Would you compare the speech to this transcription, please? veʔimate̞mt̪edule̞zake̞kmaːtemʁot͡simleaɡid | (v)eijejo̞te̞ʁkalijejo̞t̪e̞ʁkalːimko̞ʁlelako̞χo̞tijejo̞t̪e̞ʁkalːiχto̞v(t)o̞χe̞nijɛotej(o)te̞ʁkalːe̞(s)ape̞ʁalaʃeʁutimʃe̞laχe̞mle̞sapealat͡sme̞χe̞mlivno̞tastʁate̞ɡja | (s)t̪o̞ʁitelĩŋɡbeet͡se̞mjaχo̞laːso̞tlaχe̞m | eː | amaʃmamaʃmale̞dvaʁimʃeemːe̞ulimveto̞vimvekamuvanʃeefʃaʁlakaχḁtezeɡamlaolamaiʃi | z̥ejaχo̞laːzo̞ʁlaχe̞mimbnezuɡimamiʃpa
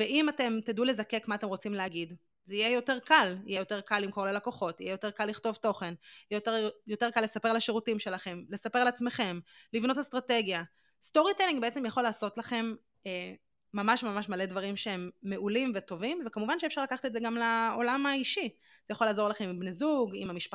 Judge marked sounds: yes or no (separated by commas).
no, yes, yes, yes, yes